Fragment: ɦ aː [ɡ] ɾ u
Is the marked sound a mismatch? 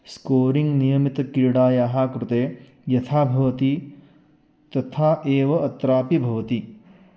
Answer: yes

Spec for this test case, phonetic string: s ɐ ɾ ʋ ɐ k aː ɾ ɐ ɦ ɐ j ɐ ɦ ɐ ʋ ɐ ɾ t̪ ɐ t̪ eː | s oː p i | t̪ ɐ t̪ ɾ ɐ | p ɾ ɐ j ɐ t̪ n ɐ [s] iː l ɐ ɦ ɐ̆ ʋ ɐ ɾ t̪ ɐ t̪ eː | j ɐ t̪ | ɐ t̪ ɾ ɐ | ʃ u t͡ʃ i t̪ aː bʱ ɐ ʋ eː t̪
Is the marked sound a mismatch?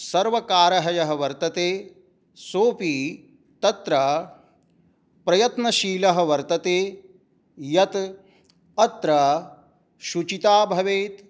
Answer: yes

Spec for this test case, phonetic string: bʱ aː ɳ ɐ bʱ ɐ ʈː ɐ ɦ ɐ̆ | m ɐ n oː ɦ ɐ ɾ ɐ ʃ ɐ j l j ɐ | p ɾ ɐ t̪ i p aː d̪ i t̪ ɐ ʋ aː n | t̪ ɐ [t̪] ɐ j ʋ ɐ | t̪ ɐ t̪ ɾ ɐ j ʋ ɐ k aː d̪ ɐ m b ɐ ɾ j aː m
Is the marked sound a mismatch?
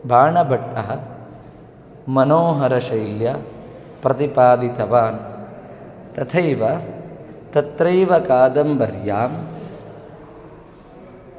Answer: yes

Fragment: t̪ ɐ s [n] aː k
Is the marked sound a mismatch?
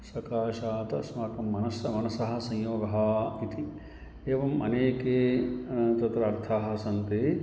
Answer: yes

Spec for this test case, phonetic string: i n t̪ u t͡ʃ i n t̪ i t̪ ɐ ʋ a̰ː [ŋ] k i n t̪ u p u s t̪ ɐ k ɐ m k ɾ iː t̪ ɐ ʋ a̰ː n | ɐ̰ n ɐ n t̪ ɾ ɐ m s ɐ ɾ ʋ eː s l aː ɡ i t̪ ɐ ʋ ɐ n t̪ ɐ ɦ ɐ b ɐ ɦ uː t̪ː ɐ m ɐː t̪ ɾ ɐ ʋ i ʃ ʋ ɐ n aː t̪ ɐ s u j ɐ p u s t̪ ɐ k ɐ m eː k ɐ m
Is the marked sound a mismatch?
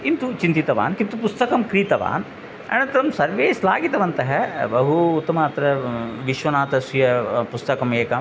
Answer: yes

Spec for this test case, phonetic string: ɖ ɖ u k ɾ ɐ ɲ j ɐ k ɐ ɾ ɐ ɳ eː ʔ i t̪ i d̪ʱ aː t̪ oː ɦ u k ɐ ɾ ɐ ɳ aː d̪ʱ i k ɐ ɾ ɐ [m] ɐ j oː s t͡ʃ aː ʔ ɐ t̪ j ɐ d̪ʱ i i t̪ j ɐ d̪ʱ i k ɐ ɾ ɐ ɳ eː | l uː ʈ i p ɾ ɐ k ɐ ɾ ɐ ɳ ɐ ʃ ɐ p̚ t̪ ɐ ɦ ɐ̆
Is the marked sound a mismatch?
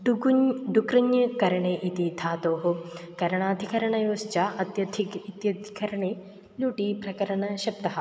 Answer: yes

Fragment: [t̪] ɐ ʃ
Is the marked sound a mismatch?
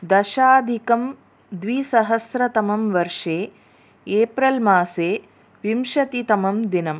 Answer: yes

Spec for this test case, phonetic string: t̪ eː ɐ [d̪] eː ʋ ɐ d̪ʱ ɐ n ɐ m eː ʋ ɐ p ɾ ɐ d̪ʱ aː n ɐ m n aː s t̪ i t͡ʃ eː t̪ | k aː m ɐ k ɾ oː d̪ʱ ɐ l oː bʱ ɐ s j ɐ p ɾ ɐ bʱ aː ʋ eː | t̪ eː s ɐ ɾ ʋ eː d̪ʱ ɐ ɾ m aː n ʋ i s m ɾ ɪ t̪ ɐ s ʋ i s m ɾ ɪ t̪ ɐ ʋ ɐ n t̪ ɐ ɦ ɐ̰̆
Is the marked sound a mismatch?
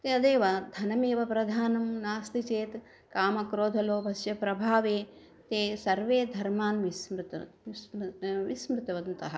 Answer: no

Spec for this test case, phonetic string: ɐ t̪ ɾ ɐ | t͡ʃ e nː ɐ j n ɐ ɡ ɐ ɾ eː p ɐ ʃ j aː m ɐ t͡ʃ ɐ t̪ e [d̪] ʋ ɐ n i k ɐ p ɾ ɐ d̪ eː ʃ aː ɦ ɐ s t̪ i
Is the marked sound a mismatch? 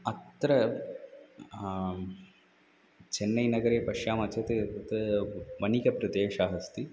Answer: yes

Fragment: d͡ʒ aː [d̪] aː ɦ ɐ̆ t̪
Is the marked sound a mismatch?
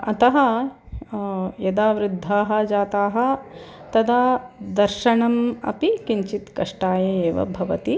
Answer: yes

